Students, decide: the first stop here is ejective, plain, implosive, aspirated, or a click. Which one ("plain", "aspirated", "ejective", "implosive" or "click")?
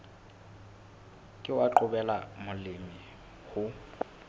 ejective